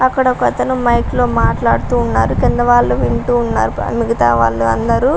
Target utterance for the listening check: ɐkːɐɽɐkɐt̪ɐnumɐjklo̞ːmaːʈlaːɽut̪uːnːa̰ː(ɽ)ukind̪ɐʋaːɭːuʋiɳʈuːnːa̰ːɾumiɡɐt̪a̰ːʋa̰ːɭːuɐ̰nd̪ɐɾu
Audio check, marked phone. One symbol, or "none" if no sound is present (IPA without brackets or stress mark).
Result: ɾ